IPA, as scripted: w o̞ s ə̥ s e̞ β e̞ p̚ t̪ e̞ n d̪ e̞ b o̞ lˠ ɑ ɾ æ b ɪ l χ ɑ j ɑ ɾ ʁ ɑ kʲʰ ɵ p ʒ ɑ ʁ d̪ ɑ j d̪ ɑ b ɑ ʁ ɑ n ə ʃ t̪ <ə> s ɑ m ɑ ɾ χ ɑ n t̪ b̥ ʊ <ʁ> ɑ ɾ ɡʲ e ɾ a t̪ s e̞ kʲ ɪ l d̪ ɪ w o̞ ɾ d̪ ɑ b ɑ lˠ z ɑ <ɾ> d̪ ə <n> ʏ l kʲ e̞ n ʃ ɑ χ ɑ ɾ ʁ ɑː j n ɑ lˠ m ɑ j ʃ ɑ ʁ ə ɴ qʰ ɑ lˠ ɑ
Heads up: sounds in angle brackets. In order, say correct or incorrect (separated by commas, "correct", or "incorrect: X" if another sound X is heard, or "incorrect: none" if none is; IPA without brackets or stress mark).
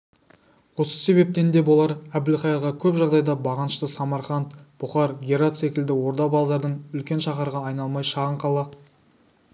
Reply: correct, incorrect: χ, correct, incorrect: ɴ